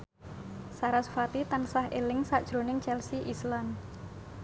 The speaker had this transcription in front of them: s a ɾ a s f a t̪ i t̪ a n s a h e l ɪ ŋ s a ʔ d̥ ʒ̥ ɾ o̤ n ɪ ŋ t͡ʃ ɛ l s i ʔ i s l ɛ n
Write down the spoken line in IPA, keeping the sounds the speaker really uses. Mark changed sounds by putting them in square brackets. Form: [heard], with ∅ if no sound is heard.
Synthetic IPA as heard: s a ɾ a s f a t̪ i t̪ a n s a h e l ɪ ŋ s a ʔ d̥ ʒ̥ ɾ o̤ n ɪ ŋ t͡ʃ ɛ l s i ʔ i s l [a] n